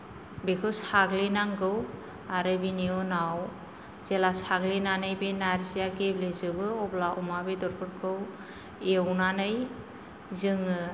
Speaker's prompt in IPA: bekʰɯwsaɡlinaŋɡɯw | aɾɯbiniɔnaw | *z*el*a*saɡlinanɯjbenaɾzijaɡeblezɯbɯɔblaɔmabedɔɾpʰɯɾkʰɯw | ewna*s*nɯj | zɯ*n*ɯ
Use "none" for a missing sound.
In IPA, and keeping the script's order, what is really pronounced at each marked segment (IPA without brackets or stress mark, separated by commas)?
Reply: z, a, none, ŋ